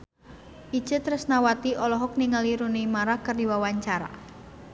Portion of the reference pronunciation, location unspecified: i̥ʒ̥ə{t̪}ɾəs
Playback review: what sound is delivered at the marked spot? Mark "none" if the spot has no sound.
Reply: t̪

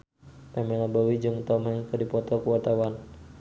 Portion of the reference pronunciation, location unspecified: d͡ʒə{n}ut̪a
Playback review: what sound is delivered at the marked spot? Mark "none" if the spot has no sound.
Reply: ŋ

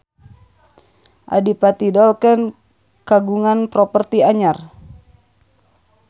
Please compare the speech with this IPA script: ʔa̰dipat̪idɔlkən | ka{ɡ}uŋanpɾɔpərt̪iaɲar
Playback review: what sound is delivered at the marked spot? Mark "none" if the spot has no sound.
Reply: ɡ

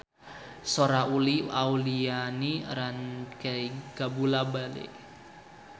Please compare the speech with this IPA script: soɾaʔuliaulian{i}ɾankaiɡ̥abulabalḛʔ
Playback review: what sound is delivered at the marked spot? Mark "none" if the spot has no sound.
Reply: i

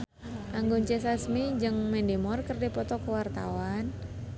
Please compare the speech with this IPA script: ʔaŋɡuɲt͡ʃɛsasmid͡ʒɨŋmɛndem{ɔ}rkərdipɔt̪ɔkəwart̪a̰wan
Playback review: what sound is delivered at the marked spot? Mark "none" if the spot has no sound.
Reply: ɔ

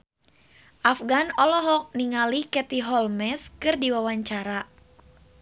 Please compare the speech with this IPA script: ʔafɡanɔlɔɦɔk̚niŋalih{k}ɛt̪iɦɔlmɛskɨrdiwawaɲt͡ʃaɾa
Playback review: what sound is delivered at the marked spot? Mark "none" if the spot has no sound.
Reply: k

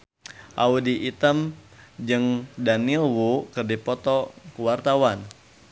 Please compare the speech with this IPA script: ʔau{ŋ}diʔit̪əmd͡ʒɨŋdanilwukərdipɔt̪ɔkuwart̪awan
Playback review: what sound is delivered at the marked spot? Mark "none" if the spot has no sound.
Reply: none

